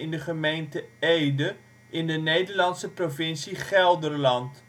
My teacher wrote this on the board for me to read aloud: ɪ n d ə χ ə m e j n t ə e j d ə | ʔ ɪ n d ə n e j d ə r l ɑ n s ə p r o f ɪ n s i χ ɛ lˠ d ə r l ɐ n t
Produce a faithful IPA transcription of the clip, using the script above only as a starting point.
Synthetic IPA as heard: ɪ n d ə χ ə m e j n t ə e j d ə | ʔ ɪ n d ə n e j d ə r l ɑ n s ə p r o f ɪ n s i χ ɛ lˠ d ə r l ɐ n t